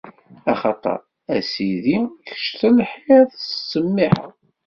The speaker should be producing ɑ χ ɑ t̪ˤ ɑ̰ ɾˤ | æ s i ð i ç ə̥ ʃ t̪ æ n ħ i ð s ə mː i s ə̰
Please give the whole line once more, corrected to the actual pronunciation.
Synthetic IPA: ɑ χ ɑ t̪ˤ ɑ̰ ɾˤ | æ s i ð i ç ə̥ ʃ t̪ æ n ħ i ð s ə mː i ħ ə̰